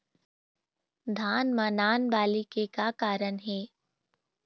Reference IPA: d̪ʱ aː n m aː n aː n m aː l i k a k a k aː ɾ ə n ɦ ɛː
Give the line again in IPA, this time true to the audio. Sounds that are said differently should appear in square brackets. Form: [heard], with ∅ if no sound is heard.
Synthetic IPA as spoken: d̪ʱ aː n m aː n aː n [b] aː l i k [e] k a k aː ɾ ə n ɦ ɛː